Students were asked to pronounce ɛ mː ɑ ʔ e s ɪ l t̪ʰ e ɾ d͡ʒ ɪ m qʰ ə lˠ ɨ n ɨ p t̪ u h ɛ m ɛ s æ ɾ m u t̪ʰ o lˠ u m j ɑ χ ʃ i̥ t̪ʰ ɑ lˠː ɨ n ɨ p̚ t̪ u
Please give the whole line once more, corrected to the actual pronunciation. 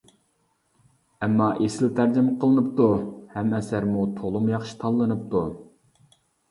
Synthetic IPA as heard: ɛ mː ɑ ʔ e s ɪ l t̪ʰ æ ɾ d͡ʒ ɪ m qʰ ə lˠ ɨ n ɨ p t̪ u h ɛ m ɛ s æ ɾ m u t̪ʰ o lˠ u m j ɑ χ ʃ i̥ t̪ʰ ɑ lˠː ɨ n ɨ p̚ t̪ u